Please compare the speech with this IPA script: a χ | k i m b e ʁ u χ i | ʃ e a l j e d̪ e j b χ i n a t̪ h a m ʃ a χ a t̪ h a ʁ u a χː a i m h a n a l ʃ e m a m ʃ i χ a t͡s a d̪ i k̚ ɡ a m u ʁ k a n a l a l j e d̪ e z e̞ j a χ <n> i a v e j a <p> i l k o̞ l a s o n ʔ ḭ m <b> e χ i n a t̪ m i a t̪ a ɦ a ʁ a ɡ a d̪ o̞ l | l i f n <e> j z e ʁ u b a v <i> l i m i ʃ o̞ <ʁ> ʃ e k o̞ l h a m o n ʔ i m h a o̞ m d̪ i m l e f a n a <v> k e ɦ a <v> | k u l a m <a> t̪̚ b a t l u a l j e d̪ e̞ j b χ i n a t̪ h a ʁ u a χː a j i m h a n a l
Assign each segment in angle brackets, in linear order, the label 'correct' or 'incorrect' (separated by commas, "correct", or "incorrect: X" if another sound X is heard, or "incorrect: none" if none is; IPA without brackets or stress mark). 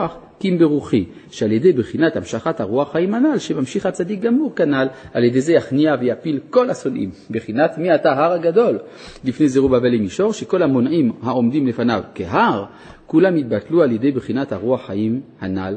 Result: correct, correct, correct, correct, incorrect: e, correct, correct, incorrect: ʁ, incorrect: i